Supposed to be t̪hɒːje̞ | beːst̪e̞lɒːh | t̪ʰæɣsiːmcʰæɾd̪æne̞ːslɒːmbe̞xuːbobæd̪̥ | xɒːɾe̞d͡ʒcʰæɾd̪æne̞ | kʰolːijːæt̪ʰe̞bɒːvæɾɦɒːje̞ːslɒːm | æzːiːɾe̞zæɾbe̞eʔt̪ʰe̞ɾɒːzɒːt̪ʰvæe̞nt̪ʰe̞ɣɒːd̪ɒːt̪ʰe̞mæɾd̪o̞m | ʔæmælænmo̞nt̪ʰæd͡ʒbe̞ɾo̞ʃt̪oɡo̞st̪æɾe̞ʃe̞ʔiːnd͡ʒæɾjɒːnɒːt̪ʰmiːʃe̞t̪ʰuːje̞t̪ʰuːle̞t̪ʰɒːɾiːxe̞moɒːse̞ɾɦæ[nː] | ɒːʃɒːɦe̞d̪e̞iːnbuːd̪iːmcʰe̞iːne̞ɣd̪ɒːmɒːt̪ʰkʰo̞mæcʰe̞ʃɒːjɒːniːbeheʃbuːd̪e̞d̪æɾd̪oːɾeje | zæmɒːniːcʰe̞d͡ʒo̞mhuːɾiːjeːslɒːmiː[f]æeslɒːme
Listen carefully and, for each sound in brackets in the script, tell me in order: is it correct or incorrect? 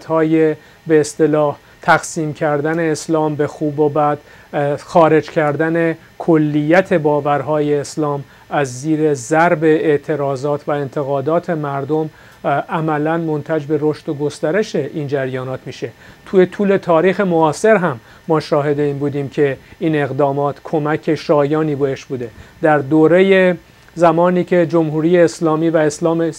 incorrect, incorrect

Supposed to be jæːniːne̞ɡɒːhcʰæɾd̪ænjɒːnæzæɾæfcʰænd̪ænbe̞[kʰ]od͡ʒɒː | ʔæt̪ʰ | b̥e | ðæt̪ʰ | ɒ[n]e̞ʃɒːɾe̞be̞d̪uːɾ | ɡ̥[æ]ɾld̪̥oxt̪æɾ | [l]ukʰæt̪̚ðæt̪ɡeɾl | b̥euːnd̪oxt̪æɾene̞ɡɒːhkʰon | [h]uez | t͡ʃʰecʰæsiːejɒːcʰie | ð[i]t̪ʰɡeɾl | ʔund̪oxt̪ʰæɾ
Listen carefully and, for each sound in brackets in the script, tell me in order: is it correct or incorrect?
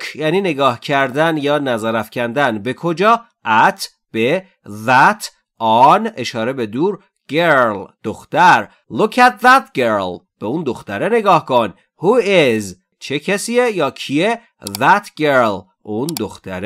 correct, correct, incorrect, correct, correct, incorrect

